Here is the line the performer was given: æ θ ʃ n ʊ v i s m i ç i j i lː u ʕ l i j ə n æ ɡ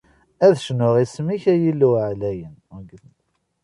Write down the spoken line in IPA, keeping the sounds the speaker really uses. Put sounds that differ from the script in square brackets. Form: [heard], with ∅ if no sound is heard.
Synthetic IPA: æ [ð] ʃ n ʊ [ʁ] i s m i ç [æ] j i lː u ʕ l [æ] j ə n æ ɡ